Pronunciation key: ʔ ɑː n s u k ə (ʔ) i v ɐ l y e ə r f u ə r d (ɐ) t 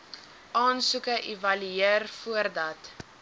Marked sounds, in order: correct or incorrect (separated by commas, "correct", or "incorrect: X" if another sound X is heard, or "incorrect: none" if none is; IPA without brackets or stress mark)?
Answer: correct, correct